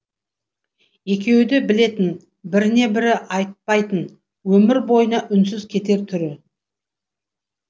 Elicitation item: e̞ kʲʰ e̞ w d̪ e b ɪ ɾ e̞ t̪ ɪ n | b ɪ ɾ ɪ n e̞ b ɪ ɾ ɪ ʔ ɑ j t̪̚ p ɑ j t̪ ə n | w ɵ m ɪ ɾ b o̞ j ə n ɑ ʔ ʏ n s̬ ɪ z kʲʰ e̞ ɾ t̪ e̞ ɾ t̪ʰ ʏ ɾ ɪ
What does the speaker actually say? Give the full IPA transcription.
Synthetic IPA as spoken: e̞ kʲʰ e̞ w d̪ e b ɪ l e̞ t̪ ɪ n | b ɪ ɾ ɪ n e̞ b ɪ ɾ ɪ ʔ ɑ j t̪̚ p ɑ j t̪ ə n | w ɵ m ɪ ɾ b o̞ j ə n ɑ ʔ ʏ n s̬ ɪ z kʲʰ e̞ t̪ e̞ ɾ t̪ʰ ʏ ɾ ɪ